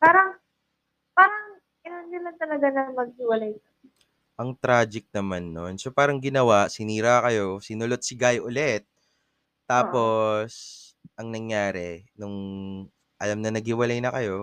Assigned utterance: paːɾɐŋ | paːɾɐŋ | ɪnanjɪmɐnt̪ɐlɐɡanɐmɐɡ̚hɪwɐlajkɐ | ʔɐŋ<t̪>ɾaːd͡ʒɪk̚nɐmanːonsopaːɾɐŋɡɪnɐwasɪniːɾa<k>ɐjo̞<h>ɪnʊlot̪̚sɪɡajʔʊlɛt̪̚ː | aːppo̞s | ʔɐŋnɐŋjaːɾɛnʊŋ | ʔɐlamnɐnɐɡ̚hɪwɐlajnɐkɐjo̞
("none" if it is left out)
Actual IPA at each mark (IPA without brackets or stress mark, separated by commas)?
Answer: t̪, k, s